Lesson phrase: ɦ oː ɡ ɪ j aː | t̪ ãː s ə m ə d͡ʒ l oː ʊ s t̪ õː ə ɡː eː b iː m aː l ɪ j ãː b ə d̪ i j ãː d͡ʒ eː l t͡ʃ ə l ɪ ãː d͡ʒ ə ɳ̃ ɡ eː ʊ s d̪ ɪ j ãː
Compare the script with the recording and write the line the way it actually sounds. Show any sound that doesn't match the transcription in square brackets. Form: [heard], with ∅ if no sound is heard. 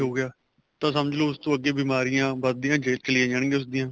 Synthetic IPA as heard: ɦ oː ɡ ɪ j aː | t̪ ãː s ə m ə d͡ʒ l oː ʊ s t̪ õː ə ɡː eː b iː m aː [ɾ] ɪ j ãː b ə d̪ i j ãː d͡ʒ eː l t͡ʃ ə l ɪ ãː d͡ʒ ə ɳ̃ ɡ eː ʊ s d̪ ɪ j ãː